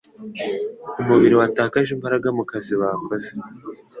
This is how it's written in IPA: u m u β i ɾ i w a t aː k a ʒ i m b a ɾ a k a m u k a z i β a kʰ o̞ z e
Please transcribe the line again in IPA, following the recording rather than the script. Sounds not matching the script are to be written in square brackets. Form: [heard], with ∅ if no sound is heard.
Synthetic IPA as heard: u m u β i ɾ i w a t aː k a ʒ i m b a ɾ a [ɡ] a m u k a z i β a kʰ o̞ z e